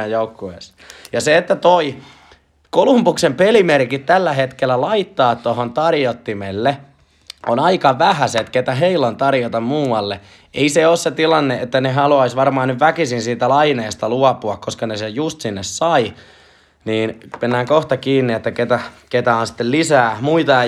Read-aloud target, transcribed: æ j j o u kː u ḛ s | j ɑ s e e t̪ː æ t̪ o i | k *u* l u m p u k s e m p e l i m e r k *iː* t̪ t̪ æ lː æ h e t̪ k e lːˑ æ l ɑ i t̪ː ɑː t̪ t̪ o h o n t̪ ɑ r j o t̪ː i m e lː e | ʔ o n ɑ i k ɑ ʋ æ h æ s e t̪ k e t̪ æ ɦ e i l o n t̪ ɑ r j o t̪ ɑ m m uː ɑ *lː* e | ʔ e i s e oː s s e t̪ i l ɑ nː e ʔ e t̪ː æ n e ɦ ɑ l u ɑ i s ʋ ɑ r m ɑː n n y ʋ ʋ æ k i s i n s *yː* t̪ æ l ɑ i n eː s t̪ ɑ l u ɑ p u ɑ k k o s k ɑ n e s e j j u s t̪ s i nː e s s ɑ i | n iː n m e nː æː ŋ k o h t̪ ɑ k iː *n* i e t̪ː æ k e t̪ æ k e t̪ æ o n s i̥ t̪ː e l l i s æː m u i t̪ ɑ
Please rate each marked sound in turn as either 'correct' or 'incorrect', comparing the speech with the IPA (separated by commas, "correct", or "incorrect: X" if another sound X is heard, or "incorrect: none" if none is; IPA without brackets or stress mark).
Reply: incorrect: o, incorrect: i, correct, incorrect: iː, incorrect: nː